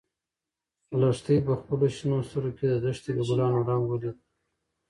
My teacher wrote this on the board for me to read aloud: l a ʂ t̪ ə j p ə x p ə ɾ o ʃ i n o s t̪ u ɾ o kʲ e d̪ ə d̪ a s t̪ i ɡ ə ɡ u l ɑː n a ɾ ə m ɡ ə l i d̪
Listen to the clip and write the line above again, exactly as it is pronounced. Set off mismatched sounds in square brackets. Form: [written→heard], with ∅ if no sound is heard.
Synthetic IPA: l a ʂ t̪ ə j p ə x p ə [ɾ→l] o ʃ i n o s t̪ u ɾ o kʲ e d̪ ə d̪ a [s→ʂ] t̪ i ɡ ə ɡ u l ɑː n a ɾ [ə→ɑ] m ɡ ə l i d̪